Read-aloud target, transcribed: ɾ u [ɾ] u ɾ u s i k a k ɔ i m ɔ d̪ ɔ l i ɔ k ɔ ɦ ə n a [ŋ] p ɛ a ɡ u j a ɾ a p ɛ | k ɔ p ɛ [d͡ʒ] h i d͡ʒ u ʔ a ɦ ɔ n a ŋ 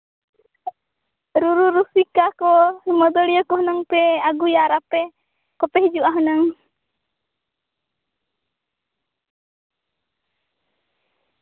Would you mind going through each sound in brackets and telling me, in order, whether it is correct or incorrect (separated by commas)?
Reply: correct, correct, incorrect